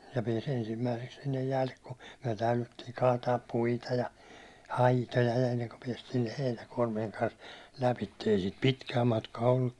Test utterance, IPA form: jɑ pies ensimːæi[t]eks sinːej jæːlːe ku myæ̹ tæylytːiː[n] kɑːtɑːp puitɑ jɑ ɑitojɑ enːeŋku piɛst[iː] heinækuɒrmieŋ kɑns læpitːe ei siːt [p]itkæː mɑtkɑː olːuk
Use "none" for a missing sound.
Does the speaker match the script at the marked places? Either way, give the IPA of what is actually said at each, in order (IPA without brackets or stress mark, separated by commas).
s, ŋ, iː, p